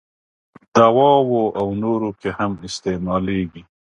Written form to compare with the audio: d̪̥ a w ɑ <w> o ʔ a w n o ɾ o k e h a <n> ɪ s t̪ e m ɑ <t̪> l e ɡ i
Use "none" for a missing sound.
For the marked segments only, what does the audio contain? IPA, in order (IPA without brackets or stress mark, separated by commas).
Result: w, m, none